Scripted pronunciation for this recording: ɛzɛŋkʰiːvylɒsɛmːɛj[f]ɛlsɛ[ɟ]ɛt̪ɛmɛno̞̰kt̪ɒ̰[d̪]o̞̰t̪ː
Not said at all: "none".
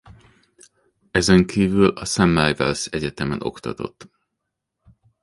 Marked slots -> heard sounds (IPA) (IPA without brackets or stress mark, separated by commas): v, ɟ, t̪